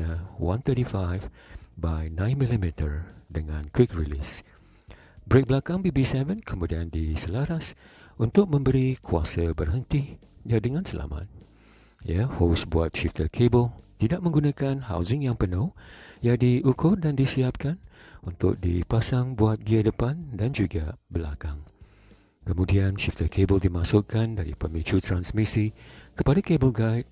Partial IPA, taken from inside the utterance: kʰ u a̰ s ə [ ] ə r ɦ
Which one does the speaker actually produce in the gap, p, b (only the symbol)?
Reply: b